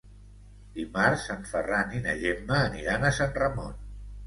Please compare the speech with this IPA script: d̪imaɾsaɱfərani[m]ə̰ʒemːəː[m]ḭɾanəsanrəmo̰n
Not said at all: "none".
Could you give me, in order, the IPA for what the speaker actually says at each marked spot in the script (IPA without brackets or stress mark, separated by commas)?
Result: n, n